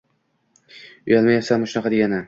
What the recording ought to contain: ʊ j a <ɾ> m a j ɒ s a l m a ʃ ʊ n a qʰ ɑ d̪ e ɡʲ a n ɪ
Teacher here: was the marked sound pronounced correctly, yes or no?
no